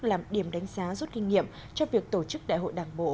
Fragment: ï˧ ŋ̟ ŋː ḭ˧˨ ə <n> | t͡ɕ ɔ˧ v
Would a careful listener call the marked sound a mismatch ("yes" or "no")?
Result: yes